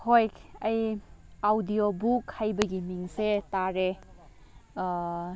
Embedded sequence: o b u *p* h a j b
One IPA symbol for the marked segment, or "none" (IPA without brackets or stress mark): k